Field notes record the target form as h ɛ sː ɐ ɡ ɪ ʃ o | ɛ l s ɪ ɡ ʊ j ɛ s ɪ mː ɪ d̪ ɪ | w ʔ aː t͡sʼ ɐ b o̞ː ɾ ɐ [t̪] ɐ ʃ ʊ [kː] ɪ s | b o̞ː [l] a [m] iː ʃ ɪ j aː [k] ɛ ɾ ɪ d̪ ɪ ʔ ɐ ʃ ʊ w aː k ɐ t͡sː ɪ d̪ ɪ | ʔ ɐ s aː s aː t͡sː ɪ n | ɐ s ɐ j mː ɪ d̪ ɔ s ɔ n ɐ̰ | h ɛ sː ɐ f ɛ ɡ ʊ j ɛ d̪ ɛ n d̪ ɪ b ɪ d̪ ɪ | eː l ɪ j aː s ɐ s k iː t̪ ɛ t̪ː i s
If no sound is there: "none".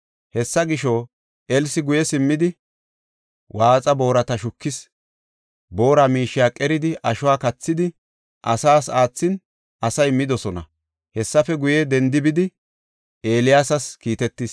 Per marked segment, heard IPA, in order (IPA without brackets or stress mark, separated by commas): t̪, kː, ɾ, m, kʼ